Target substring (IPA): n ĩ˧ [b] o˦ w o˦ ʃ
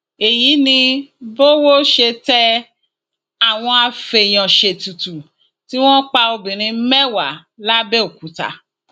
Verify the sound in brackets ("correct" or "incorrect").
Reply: correct